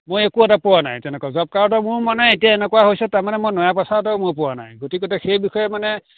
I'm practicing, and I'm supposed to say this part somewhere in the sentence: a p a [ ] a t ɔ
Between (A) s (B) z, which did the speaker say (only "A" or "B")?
A